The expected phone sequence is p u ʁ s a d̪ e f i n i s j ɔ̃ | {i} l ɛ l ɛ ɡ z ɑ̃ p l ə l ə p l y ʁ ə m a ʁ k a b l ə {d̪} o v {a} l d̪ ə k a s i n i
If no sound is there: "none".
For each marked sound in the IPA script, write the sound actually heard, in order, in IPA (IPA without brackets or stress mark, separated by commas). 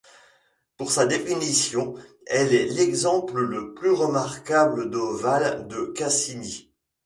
ɛ, d̪, a